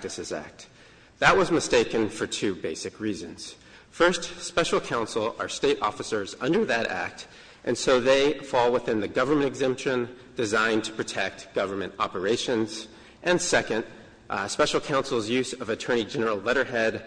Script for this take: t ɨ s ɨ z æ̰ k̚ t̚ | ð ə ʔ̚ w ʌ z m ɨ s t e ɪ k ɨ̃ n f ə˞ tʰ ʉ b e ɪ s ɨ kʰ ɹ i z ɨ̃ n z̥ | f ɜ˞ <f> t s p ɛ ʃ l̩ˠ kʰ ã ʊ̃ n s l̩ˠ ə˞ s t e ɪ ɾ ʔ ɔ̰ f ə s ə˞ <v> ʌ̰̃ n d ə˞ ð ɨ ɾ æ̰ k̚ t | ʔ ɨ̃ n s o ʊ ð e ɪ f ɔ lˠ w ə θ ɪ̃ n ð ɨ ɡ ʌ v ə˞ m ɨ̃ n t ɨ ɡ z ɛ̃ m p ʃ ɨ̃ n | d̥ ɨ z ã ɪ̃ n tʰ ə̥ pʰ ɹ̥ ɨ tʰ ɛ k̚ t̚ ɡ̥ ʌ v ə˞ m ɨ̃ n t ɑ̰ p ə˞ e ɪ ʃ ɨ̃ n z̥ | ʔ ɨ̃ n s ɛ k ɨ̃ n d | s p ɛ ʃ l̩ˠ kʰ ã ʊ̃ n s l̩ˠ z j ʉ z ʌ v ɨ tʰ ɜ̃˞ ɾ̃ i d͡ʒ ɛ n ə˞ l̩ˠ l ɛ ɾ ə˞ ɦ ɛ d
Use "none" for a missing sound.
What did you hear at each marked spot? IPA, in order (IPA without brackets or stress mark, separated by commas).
s, z